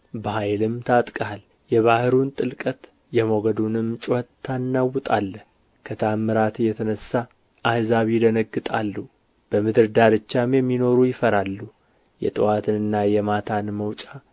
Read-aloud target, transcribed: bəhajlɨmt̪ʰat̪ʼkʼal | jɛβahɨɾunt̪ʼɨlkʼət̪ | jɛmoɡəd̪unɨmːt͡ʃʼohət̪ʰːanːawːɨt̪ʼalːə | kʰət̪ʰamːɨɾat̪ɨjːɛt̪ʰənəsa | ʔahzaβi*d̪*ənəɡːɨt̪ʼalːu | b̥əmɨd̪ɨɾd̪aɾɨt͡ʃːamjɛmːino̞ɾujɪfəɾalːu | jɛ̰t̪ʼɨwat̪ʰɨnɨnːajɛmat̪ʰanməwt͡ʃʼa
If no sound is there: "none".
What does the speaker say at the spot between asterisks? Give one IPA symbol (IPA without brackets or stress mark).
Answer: d̪